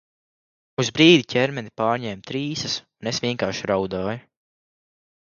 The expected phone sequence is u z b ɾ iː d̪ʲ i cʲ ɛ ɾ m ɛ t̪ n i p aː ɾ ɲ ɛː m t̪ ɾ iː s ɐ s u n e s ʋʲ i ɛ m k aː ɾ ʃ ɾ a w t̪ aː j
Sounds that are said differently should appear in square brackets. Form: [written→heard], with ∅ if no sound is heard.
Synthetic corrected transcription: u z b ɾ iː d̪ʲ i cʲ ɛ ɾ m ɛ [t̪→∅] n i p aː ɾ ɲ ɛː m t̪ ɾ iː s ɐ s u n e s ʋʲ i ɛ [m→ŋ] k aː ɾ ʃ ɾ a w [t̪→d̪] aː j